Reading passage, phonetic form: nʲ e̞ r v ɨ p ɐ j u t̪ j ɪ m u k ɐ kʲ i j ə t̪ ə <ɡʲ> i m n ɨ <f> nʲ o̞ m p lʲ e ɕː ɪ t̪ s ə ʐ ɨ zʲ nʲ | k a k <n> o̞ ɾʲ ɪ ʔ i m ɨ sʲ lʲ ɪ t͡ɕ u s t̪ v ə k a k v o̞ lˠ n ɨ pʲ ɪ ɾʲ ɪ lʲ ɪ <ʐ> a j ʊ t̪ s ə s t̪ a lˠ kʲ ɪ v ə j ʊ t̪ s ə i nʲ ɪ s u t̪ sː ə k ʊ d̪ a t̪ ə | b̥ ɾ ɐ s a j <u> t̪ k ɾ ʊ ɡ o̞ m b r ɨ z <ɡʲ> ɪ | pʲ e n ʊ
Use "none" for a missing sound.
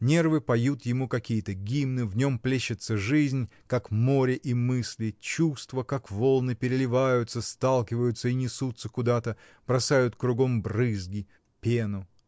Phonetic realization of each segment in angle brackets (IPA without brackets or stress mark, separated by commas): ɡʲ, v, m, v, ʊ, ɡʲ